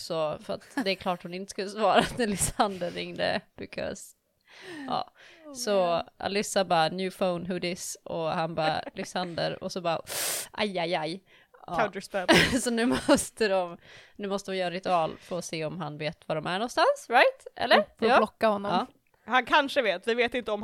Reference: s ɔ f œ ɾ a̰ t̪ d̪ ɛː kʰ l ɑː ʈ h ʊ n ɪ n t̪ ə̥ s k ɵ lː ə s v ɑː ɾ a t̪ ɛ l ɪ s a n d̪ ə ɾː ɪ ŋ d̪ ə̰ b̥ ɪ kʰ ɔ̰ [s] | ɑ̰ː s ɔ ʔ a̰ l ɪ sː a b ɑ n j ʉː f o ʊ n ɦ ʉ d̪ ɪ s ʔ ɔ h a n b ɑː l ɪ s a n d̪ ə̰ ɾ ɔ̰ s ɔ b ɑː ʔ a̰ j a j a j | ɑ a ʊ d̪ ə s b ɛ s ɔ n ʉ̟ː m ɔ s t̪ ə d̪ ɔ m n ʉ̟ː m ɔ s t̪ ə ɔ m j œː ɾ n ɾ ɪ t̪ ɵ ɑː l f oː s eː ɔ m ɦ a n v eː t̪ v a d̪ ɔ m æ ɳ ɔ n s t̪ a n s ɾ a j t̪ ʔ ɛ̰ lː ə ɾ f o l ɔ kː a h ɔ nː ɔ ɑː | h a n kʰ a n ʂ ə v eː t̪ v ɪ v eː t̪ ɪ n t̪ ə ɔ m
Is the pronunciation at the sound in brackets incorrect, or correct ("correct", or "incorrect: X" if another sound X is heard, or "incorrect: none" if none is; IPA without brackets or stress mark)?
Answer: correct